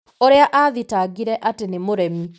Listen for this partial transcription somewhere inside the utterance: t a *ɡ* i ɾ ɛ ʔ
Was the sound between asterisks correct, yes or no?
yes